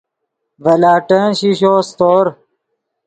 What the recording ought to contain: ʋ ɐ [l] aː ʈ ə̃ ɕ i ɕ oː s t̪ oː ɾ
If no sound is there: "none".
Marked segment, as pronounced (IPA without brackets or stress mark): l